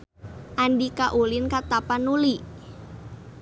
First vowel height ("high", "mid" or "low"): low